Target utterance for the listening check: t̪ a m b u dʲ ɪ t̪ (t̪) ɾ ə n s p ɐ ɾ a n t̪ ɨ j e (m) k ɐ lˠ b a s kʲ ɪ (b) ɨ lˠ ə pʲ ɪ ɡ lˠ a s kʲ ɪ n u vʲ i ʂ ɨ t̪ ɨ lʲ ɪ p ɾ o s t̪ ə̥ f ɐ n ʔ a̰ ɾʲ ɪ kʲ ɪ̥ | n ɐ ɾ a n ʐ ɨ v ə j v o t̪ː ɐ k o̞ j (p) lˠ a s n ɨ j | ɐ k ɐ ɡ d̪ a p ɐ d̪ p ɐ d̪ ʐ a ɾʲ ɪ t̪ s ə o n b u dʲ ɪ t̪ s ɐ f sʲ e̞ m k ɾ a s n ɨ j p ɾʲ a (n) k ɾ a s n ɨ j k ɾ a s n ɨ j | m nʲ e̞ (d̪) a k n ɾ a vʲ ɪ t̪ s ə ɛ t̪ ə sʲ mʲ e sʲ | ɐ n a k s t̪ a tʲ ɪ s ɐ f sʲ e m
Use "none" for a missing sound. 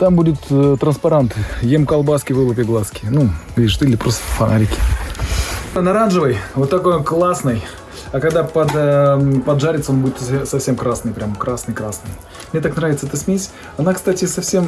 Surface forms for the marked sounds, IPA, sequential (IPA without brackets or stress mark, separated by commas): t̪, m, v, k, m, t̪